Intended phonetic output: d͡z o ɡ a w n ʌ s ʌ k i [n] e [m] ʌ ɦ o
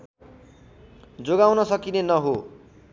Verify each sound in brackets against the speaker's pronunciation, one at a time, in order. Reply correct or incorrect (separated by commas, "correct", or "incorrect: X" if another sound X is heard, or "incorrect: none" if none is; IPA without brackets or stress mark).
correct, incorrect: n